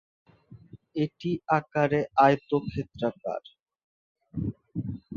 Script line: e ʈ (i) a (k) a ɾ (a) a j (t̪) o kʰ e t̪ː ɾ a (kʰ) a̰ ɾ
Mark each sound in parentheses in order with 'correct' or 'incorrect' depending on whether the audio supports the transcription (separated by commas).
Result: correct, correct, incorrect, correct, incorrect